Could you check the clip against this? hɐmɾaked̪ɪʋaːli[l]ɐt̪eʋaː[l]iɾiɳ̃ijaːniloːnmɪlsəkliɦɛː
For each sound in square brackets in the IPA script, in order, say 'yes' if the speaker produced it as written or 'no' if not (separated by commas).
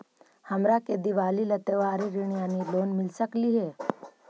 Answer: yes, no